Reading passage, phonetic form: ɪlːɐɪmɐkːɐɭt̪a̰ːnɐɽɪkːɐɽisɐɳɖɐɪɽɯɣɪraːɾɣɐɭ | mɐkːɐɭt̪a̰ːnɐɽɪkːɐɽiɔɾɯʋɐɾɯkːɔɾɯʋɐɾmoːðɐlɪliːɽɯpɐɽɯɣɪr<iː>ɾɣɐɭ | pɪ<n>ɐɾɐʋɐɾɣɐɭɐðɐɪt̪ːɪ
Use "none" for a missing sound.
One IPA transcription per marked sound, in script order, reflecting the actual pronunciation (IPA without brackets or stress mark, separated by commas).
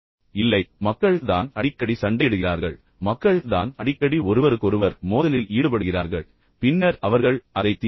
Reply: aː, nː